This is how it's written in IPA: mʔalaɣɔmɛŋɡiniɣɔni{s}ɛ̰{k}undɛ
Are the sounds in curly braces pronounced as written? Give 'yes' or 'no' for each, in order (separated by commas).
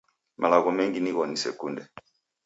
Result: yes, yes